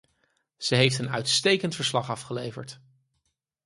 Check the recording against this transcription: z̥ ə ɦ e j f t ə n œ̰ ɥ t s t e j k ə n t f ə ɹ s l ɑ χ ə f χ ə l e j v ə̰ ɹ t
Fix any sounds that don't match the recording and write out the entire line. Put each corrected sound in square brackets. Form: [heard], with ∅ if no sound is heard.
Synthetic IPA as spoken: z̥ ə ɦ e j f t ə n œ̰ ɥ t s t e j k ə n t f ə ɹ s l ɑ χ [ɑ] f χ ə l e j v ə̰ ɹ t